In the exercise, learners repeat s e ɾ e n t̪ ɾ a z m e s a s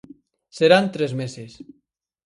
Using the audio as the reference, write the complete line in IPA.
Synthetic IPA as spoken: s e ɾ a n t̪ ɾ e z m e s e s